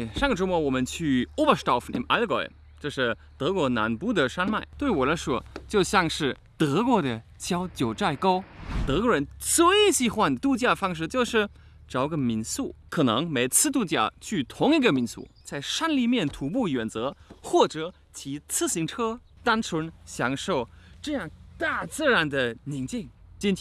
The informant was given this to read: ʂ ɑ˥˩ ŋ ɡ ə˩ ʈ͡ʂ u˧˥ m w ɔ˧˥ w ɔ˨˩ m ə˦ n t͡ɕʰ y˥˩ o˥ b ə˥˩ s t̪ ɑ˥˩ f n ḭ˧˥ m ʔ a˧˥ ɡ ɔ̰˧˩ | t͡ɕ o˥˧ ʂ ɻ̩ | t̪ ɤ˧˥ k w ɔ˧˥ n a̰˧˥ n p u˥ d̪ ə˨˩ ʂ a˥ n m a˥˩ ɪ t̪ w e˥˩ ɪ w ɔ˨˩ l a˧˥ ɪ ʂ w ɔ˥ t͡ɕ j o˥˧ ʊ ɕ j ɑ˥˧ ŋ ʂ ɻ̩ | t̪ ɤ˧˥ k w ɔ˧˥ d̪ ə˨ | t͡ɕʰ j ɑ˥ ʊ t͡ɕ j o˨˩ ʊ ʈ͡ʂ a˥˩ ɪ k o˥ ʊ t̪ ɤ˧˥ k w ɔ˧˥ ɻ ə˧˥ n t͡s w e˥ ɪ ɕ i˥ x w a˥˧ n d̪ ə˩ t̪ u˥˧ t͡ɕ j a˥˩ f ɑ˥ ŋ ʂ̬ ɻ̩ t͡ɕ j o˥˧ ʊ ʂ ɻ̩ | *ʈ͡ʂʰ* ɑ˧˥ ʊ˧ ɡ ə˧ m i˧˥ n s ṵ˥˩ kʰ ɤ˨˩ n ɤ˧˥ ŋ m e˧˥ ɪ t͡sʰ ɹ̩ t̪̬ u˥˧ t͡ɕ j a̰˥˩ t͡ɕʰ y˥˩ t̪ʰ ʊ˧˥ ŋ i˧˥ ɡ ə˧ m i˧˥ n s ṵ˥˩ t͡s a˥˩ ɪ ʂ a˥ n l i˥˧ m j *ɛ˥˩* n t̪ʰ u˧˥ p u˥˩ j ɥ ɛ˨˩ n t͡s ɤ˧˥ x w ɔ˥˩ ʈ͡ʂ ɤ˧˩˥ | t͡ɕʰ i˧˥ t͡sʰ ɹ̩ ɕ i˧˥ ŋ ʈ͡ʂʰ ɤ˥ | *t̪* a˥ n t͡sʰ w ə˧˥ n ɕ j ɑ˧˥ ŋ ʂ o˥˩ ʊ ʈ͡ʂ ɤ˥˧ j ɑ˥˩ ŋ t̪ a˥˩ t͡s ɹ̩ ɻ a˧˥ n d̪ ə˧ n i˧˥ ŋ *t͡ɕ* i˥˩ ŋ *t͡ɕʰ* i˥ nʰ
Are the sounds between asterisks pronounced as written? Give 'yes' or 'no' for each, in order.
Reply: no, yes, yes, yes, no

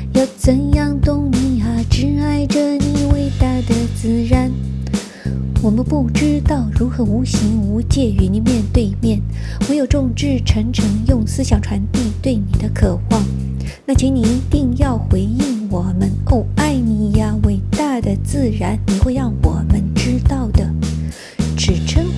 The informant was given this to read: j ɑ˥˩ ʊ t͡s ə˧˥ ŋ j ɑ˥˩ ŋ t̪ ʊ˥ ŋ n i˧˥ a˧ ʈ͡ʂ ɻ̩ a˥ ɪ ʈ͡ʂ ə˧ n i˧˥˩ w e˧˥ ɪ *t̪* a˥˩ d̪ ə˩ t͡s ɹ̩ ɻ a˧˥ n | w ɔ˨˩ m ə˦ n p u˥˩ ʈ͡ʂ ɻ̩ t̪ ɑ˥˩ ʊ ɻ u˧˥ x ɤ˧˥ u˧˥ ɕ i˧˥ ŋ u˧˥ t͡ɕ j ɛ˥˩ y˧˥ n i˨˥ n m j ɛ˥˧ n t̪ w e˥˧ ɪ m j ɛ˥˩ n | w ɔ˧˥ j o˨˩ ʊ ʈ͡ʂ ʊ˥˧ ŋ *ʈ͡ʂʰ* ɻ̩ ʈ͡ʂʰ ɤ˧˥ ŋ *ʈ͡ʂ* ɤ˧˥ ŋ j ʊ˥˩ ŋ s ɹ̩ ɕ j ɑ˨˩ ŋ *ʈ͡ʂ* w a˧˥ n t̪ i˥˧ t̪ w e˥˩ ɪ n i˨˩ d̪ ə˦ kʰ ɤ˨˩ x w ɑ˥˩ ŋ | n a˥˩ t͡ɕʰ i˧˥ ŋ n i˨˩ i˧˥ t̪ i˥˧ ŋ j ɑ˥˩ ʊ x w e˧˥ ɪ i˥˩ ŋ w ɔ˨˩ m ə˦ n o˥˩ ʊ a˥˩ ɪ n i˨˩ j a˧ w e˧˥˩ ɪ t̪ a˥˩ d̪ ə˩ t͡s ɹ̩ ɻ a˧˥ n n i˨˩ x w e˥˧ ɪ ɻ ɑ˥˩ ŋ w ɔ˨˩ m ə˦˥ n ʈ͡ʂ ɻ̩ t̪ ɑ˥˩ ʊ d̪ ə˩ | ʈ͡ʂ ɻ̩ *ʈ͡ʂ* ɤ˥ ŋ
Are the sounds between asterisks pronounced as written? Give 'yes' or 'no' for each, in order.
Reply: yes, no, no, no, no

